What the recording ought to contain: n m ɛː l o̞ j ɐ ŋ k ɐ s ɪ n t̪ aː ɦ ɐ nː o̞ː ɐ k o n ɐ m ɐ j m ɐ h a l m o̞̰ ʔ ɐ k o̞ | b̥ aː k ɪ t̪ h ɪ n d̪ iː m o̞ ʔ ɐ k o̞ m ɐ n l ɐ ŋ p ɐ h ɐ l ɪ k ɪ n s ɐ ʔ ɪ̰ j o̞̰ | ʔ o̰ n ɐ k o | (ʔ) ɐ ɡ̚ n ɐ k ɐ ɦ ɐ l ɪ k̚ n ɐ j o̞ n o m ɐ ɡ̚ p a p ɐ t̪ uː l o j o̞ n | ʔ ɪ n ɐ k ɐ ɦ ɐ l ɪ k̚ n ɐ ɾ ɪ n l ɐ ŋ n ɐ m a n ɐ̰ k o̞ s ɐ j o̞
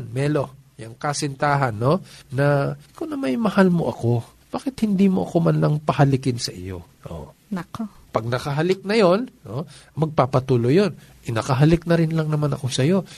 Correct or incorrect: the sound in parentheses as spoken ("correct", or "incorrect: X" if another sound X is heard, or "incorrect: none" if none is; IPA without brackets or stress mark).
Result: incorrect: p